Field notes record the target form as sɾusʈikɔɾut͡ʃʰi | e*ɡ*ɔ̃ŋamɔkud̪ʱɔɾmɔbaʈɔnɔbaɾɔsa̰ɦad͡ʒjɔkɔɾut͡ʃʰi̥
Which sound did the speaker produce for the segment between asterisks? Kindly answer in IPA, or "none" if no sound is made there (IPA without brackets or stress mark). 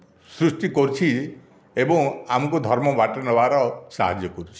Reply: b